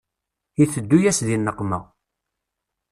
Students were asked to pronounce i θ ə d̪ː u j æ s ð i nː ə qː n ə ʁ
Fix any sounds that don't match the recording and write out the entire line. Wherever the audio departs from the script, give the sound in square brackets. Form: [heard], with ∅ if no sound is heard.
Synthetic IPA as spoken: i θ ə d̪ː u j æ s ð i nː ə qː [m] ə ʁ